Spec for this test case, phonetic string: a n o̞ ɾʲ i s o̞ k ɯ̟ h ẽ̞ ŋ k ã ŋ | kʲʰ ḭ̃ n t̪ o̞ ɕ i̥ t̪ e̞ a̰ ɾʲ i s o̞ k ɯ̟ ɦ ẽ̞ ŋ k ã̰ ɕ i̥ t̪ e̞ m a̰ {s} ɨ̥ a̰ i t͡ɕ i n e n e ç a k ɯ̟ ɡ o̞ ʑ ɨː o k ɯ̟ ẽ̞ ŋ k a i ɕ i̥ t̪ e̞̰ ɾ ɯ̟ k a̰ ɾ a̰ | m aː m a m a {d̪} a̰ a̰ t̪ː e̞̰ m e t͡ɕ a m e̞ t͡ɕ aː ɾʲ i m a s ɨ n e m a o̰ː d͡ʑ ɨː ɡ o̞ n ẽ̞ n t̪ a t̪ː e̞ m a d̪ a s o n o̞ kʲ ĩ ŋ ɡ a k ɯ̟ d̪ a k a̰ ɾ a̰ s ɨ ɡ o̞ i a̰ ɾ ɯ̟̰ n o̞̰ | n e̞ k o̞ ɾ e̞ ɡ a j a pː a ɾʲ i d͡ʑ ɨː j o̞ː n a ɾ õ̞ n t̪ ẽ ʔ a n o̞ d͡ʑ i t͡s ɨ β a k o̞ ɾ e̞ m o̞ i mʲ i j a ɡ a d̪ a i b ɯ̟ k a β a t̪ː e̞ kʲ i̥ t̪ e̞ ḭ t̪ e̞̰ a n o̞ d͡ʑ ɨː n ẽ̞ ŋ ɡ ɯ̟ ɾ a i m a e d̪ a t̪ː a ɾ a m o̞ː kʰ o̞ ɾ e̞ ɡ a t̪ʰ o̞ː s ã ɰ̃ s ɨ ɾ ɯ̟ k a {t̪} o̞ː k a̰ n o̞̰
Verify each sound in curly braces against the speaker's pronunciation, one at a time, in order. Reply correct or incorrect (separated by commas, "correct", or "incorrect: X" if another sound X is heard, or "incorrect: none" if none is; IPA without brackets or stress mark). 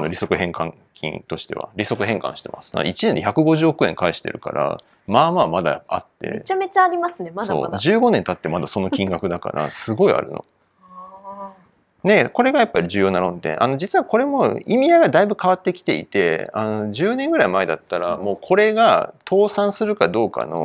correct, correct, incorrect: d̪